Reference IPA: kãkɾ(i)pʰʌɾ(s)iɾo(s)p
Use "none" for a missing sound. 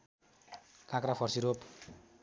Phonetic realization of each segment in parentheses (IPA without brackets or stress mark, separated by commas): a, s, none